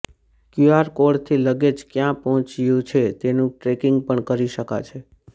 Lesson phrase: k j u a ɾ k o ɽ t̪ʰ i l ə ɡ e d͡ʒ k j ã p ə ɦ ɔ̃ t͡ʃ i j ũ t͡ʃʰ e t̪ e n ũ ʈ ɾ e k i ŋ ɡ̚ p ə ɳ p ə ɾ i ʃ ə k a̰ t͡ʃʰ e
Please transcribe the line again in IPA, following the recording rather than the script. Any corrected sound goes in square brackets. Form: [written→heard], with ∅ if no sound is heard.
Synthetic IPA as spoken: k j u a ɾ k o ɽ t̪ʰ i l ə ɡ e d͡ʒ k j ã p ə ɦ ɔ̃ t͡ʃ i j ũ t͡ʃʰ e t̪ e n ũ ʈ ɾ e k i ŋ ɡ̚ p ə ɳ [p→k] ə ɾ i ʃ ə k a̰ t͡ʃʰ e

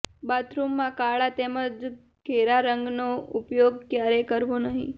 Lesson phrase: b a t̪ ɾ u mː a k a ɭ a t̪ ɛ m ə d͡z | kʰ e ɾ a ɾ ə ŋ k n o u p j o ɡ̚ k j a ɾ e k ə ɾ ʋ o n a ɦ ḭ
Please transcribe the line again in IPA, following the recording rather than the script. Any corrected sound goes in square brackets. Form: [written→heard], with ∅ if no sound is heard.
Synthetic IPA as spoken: b a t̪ ɾ u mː a k a ɭ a t̪ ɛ m ə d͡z | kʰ e ɾ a ɾ ə ŋ [k→ɡ] n o u p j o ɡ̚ k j a ɾ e k ə ɾ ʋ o n a ɦ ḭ

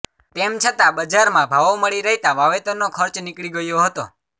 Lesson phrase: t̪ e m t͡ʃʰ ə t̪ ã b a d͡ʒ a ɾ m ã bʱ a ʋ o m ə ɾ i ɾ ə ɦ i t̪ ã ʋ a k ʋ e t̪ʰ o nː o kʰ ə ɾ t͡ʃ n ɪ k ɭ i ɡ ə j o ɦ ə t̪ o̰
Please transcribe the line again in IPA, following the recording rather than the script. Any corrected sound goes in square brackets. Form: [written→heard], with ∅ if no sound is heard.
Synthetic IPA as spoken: t̪ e m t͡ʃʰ ə t̪ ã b [a→ə] d͡ʒ a ɾ m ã bʱ a ʋ o m ə [ɾ→ɭ] i ɾ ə ɦ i t̪ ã ʋ a [k→∅] ʋ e [t̪ʰ→t̪] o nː o kʰ ə ɾ t͡ʃ n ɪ k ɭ i ɡ ə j o ɦ ə t̪ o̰

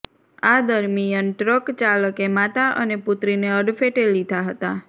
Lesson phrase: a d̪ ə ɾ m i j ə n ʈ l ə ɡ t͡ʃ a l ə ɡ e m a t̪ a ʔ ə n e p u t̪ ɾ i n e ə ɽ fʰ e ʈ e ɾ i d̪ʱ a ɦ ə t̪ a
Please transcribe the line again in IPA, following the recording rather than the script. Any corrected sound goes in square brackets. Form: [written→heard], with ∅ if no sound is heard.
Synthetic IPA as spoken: a d̪ ə ɾ m i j ə n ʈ [l→ɾ] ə [ɡ→k] t͡ʃ a l ə [ɡ→k] e m a t̪ a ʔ ə n e p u t̪ ɾ i n e ə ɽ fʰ e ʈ e [ɾ→l] i d̪ʱ a ɦ ə t̪ a

